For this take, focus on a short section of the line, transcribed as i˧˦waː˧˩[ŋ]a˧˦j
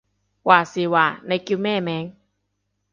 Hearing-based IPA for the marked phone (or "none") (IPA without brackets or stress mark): n